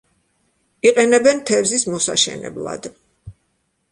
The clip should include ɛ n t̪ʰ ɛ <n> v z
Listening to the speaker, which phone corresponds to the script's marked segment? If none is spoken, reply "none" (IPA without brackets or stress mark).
none